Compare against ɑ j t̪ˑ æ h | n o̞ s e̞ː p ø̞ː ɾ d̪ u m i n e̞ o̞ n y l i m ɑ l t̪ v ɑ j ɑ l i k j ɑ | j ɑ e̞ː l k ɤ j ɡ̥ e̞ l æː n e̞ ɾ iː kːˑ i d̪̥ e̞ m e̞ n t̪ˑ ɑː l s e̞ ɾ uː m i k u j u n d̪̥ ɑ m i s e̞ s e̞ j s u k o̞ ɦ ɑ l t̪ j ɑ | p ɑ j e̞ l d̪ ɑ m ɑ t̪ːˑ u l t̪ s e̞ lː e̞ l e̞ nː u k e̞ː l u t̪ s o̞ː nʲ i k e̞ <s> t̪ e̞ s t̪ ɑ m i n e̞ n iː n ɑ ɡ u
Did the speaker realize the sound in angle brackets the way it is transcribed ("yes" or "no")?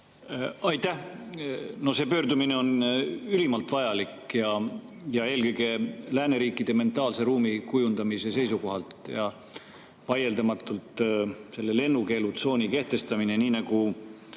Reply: no